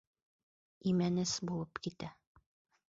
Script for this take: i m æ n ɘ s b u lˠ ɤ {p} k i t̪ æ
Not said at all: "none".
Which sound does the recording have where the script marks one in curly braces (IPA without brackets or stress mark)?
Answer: p